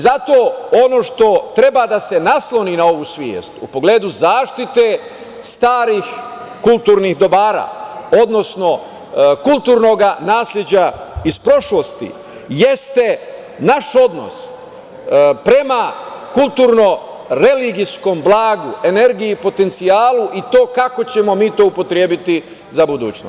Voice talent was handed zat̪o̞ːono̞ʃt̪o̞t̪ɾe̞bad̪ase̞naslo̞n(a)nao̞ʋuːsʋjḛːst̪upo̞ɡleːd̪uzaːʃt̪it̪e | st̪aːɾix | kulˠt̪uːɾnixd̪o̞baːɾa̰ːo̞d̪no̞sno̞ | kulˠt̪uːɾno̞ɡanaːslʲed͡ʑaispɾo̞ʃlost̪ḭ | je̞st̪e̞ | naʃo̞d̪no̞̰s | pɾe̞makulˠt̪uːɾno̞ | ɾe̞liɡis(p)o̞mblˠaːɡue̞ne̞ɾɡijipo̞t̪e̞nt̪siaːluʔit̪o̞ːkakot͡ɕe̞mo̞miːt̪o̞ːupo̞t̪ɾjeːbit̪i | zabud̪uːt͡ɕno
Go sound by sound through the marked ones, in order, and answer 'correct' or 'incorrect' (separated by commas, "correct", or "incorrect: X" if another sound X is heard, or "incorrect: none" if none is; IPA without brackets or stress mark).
incorrect: i, incorrect: k